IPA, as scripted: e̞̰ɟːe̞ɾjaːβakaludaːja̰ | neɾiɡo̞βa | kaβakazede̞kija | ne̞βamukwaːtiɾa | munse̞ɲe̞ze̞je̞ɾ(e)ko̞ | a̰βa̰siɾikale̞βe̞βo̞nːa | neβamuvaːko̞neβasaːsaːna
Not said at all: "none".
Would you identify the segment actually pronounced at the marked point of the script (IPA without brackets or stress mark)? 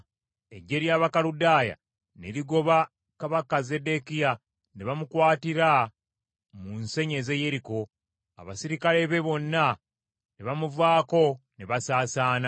i